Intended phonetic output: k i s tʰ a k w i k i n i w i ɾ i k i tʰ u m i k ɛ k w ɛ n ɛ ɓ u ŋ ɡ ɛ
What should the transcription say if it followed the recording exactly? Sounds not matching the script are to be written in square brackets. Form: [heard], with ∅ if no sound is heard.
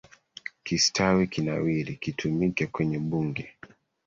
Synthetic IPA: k i s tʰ a [∅] w i k i n [a] w i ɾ i k i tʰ u m i k ɛ k w ɛ [ɲ] ɛ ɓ u ŋ ɡ ɛ